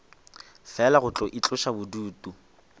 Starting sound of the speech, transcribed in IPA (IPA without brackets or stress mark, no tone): f